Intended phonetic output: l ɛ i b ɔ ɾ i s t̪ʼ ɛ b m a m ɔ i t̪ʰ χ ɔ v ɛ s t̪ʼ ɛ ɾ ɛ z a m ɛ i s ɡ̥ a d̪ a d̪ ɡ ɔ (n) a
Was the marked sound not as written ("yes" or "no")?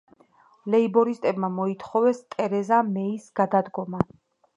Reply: yes